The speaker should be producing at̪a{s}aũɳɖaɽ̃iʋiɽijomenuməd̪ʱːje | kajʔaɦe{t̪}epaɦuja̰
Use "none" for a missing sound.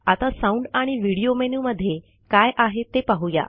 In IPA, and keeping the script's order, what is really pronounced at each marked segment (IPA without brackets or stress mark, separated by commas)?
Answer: s, t̪